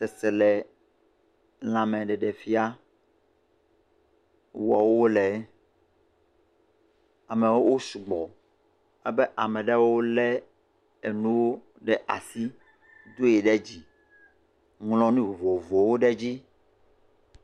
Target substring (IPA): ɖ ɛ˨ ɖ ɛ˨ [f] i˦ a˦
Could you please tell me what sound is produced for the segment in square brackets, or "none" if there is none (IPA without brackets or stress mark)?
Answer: f